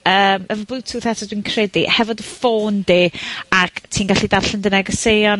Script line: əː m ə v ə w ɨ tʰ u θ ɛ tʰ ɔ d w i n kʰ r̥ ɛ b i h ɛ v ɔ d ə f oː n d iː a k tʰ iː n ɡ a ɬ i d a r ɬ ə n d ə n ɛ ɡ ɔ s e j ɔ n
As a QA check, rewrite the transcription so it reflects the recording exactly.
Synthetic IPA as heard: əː m ə v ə b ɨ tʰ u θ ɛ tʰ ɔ d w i n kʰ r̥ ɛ d i h ɛ v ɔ d ə f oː n d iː a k tʰ iː n ɡ a ɬ i d a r ɬ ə n d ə n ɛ ɡ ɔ s e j ɔ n